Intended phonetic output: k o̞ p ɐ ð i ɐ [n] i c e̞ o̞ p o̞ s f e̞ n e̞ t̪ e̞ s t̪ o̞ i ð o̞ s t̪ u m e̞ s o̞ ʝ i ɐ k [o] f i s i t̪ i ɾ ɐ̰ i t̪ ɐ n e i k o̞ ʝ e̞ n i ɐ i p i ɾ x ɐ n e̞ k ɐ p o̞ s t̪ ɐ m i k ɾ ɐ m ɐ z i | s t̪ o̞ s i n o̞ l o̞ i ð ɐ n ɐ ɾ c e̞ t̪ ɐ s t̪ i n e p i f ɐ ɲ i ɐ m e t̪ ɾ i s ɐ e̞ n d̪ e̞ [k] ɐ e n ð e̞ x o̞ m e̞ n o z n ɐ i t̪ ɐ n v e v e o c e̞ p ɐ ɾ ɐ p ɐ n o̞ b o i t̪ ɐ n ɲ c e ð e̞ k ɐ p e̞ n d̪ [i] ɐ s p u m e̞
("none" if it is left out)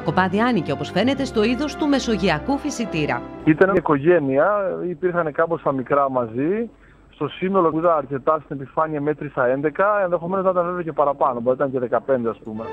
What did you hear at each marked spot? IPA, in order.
n, u, k, e

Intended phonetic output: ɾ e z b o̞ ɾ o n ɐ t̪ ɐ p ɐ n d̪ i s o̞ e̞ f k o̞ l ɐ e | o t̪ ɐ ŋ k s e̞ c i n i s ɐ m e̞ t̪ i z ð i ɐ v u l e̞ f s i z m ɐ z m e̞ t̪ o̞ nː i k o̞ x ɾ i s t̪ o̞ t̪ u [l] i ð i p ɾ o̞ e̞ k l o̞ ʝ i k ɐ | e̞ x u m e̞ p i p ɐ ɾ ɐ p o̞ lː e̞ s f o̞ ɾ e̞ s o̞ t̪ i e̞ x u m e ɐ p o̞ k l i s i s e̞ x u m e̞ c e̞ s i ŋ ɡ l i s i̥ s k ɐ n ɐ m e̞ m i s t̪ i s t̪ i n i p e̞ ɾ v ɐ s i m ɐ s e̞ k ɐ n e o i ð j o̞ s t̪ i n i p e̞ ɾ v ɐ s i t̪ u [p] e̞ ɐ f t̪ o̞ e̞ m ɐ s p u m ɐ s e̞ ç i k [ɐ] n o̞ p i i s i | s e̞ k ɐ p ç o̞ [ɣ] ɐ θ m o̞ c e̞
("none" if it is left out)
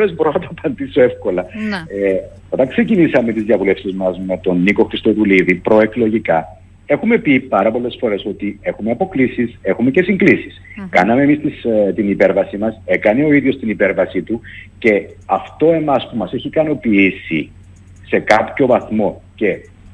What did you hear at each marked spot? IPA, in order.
l, c, ɐ, v

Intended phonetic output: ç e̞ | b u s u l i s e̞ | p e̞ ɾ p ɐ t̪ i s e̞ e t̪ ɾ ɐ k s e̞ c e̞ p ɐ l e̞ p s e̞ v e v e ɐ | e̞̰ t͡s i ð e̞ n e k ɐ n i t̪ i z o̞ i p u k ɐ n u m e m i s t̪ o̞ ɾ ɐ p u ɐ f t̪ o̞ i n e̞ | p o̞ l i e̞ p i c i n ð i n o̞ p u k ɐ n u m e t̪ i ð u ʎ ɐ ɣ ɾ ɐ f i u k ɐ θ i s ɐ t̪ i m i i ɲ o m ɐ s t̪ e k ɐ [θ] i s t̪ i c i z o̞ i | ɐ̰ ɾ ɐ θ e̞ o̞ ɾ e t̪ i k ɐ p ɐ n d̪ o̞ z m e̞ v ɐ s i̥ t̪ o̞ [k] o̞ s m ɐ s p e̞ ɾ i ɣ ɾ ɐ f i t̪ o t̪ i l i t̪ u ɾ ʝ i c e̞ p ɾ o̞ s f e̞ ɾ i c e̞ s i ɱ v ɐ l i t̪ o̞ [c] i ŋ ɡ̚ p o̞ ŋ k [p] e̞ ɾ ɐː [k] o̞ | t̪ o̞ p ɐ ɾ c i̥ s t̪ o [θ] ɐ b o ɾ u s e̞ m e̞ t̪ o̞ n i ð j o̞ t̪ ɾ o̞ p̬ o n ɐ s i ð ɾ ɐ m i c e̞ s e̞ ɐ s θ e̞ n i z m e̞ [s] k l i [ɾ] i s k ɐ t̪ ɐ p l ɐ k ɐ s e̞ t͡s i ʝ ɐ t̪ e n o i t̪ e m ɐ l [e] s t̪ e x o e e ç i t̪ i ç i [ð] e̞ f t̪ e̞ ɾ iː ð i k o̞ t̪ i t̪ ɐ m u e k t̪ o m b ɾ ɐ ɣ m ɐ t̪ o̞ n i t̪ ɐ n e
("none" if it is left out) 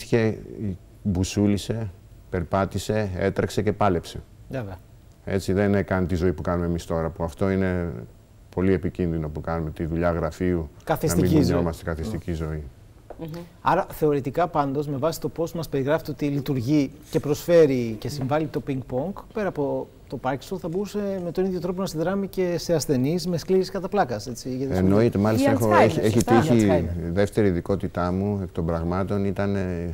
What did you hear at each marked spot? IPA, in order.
θ, p, p, p, p, θ, s, ɾ, i, ð

